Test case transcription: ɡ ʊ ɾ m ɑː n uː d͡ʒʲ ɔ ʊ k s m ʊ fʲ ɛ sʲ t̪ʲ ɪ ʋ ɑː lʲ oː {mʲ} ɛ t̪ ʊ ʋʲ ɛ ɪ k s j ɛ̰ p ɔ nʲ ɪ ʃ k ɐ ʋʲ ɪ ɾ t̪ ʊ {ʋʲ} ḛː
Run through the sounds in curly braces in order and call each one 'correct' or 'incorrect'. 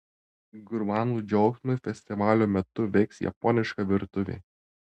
correct, correct

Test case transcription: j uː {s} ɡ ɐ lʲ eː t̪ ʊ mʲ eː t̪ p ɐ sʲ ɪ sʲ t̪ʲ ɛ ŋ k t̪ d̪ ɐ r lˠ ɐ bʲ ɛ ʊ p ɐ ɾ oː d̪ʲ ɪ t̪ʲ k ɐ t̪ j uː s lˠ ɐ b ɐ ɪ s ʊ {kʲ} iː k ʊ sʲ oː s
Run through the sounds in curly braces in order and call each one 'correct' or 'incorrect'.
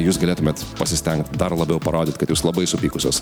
correct, incorrect: pʲ

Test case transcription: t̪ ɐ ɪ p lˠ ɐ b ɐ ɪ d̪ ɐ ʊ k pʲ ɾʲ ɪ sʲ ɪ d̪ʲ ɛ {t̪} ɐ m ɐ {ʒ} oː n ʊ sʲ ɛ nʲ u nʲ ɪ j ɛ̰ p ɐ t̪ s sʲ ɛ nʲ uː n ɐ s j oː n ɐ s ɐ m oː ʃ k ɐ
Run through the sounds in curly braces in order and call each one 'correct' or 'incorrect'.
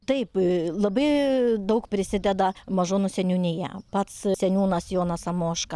incorrect: d̪, correct

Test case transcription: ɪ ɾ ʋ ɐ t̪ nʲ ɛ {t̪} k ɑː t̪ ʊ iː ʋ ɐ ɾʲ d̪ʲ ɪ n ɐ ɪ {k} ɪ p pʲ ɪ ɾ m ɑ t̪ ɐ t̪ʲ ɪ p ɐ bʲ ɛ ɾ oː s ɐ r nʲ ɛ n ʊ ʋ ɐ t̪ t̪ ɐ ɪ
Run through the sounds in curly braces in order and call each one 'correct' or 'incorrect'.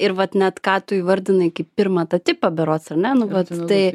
correct, correct

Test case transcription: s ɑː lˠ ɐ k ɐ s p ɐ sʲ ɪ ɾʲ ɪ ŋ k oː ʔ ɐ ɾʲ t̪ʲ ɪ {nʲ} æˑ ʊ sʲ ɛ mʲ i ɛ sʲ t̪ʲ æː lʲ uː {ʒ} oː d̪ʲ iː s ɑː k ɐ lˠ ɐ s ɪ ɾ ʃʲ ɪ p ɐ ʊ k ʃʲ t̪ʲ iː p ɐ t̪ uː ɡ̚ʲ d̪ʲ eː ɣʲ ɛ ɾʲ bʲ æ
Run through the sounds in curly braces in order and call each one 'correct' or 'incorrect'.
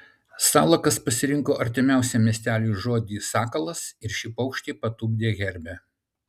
incorrect: mʲ, correct

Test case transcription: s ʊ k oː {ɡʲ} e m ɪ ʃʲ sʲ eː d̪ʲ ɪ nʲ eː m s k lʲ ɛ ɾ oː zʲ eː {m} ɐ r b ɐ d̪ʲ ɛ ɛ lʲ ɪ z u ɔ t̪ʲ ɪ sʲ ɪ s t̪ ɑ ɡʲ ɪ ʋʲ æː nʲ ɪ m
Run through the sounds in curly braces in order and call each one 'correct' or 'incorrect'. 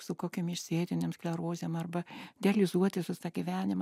incorrect: kʲ, correct

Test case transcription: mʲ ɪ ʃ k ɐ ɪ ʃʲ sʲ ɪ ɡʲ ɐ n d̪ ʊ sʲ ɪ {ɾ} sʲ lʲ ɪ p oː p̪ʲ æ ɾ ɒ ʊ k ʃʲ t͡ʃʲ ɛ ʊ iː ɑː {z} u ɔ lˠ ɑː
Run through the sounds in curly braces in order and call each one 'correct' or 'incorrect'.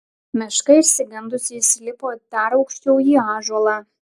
incorrect: none, incorrect: ʒ

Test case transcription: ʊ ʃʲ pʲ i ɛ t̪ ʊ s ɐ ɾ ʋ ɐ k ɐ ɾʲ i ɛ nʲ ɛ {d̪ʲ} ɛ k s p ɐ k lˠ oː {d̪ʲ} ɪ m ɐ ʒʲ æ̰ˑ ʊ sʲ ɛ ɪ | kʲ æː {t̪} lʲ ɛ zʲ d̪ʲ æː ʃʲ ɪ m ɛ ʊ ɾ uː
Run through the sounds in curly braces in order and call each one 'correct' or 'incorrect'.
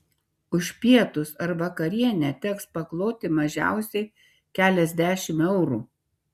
incorrect: t̪ʲ, incorrect: t̪ʲ, incorrect: none

